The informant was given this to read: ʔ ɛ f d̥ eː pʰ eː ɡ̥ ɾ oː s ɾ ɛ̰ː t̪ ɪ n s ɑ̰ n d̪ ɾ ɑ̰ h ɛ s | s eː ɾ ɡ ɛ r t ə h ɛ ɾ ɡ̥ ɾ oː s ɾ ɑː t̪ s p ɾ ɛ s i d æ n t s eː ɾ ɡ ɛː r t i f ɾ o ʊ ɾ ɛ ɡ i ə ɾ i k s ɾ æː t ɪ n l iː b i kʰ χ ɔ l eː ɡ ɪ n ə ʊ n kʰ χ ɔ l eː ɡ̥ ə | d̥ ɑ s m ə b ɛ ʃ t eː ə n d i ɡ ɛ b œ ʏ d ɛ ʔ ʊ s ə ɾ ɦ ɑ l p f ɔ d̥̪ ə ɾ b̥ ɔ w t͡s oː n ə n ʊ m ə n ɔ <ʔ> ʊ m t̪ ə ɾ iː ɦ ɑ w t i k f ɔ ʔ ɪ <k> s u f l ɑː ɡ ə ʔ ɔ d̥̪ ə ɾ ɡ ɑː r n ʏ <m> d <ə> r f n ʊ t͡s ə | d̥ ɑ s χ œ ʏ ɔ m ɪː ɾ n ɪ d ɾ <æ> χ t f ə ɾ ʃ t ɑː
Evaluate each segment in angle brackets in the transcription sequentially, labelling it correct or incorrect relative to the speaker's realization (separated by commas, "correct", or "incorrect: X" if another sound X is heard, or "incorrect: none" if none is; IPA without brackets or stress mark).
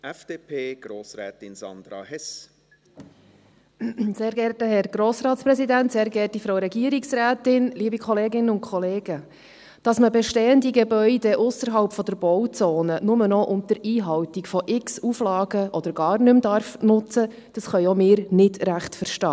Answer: correct, correct, correct, incorrect: ɑ, correct